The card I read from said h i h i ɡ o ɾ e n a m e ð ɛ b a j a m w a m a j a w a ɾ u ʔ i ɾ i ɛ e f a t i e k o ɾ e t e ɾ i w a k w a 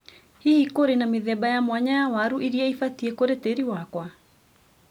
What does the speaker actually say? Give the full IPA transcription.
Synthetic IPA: h i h i k o ɾ e n a m e ð ɛ b a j a m w a ɲ a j a w a ɾ u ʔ i ɾ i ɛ i f a t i e k o ɾ e t e ɾ i w a k w a